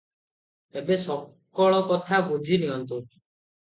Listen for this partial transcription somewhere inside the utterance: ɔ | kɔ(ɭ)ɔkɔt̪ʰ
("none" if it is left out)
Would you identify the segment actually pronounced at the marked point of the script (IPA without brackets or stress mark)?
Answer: ɭ